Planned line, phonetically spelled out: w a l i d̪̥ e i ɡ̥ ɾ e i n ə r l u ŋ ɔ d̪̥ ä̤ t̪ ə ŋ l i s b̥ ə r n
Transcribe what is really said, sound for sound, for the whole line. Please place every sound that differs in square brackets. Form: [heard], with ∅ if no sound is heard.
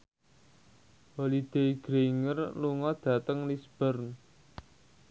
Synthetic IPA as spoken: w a l i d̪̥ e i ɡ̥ ɾ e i [ŋ] ə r l u ŋ ɔ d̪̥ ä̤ t̪ ə ŋ l i s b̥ ə r n